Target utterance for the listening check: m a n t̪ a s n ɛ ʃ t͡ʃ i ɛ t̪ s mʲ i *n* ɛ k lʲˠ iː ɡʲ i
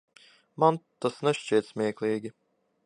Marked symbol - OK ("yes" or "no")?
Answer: no